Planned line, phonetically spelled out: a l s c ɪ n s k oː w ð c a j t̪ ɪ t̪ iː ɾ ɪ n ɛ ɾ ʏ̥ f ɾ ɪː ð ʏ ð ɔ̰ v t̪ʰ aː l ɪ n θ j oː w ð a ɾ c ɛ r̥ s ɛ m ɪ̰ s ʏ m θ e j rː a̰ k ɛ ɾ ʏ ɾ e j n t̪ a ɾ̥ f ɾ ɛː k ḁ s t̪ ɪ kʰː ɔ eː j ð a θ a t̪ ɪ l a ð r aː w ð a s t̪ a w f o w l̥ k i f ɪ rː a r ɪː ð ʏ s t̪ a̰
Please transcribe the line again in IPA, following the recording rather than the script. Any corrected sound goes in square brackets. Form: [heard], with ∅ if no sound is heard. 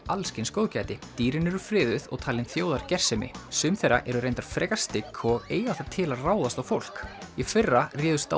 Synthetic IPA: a l s c ɪ n s k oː w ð c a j t̪ ɪ t̪ iː ɾ ɪ n ɛ ɾ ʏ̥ f ɾ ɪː ð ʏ ð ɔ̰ [ɣ] t̪ʰ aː l ɪ n θ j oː w ð a ɾ c ɛ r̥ s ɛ m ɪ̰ s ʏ m θ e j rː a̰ [ʔ] ɛ ɾ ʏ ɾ e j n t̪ a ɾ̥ f ɾ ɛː k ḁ s t̪ ɪ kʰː ɔ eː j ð a θ a [t̪ʰ] ɪ l a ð r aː w ð a s t̪ a w f o w l̥ k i f ɪ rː a r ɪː ð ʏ s t̪ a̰